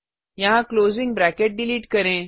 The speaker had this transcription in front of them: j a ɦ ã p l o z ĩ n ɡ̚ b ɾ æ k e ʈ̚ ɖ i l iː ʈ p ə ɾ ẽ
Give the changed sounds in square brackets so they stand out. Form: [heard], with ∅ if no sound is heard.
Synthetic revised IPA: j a ɦ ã [k] l o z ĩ [ŋ] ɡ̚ b ɾ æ k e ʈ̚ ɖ i l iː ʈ [k] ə ɾ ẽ